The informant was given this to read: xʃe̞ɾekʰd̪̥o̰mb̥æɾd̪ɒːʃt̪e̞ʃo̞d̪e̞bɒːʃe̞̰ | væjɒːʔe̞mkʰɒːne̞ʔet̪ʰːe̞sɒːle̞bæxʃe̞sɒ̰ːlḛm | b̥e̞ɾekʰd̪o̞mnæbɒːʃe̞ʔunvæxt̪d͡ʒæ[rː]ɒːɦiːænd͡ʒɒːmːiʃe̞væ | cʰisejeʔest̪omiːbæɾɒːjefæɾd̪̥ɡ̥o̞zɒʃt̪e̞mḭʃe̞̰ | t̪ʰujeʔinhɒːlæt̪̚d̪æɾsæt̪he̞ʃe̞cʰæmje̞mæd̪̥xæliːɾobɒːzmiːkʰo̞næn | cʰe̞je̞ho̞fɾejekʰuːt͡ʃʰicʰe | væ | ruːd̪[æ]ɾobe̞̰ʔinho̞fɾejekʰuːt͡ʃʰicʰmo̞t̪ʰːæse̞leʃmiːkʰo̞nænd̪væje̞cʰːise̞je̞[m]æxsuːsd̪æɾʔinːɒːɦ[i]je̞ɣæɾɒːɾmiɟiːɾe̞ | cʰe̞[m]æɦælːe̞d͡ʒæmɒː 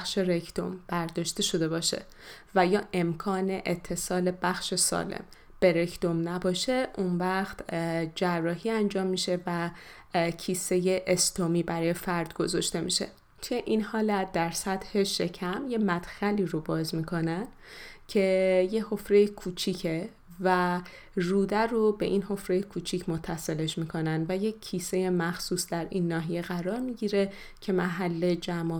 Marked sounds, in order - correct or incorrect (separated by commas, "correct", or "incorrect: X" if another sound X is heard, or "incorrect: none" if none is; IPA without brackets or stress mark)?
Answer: correct, correct, correct, correct, correct